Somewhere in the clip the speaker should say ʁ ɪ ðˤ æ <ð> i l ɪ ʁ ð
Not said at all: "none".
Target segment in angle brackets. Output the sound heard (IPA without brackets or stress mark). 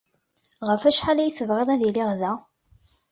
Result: ð